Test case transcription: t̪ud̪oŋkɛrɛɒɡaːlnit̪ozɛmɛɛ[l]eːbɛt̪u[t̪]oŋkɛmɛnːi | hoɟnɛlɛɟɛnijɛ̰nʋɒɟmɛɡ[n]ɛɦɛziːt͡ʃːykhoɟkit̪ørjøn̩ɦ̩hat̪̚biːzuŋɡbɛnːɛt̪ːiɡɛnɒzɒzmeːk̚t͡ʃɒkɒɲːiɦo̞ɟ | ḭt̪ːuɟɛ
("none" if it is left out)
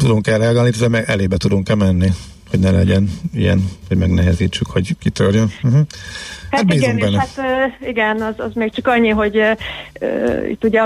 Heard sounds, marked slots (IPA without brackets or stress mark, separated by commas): l, d̪, n